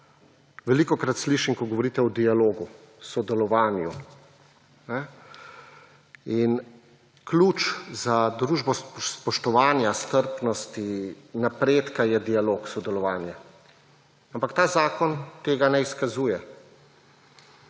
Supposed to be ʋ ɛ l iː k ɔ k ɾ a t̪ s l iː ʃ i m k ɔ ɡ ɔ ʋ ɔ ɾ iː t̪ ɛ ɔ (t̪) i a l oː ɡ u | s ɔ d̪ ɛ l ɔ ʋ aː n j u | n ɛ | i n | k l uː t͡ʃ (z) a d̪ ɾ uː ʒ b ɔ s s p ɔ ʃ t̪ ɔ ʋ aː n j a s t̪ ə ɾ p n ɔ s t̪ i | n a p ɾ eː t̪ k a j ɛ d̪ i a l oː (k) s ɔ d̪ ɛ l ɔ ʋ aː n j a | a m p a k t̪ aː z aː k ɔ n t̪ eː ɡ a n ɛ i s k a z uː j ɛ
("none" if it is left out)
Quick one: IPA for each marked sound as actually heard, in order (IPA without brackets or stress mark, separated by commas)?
d̪, z, k